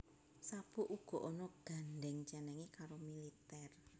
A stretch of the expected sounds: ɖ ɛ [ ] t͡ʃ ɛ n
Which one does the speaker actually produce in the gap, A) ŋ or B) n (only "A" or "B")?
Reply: A